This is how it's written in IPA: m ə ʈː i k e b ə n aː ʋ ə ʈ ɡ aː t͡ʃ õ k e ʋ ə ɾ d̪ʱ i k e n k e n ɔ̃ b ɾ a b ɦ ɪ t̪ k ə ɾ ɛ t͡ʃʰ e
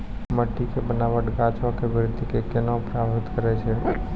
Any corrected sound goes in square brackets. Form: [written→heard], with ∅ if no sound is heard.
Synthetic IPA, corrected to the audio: m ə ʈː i k e b ə n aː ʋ ə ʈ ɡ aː t͡ʃ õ k e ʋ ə ɾ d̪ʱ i k e [n→∅] k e n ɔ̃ [b→p] ɾ a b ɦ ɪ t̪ k ə ɾ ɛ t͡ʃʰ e